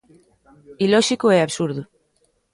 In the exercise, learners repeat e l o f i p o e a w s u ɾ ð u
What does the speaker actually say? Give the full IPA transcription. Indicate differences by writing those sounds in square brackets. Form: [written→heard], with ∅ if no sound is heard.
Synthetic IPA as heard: [e→i] l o [f→ʃ] i [p→k] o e a [w→β] s u ɾ ð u